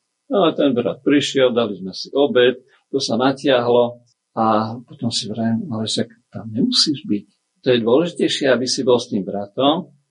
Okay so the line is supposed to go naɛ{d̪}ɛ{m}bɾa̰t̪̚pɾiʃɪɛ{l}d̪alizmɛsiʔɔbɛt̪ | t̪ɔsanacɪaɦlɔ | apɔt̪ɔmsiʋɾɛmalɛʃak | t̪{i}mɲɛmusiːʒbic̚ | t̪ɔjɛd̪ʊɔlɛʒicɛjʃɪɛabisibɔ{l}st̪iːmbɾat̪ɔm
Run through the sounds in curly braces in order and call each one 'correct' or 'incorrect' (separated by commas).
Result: incorrect, incorrect, correct, incorrect, correct